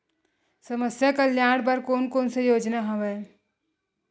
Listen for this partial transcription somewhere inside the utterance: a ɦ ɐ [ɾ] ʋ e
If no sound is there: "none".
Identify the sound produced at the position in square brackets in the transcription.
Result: none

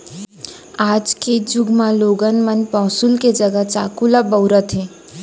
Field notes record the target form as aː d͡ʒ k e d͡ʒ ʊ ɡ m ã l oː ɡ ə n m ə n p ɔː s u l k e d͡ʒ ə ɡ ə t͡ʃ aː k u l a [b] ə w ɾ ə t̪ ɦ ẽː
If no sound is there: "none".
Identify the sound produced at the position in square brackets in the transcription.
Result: b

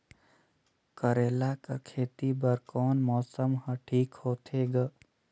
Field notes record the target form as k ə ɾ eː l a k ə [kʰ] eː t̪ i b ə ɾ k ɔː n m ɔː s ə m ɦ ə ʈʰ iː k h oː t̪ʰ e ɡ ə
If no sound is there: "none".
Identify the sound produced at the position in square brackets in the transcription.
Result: kʰ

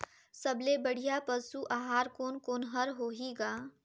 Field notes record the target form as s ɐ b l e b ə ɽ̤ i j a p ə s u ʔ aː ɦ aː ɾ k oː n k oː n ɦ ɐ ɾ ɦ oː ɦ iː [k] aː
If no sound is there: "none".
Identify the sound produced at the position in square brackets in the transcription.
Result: ɡ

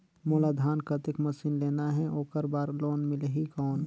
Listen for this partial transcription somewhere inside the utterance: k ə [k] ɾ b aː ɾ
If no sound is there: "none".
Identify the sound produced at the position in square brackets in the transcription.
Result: none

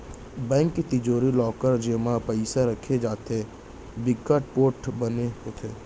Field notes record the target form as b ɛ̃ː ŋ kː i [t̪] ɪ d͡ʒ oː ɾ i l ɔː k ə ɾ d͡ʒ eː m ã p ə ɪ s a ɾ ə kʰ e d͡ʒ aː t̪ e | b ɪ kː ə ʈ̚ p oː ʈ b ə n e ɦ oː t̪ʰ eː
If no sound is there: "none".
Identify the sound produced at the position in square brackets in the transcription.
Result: t̪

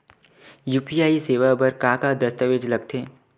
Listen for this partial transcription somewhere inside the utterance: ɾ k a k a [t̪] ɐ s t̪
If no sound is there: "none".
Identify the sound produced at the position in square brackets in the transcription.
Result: d̪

